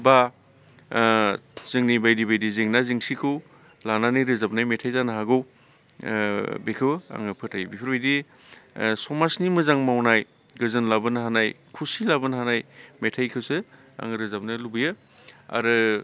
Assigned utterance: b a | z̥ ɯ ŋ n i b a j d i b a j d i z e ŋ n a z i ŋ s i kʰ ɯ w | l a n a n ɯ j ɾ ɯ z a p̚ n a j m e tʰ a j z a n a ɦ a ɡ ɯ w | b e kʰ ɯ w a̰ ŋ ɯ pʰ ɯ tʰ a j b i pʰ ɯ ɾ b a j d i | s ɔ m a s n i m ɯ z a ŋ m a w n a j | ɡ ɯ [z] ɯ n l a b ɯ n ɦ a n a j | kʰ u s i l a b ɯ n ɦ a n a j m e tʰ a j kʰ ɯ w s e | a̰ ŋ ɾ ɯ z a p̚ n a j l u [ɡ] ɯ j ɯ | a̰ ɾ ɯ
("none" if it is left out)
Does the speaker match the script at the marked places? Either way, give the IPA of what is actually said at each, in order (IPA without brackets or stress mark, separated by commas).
z, b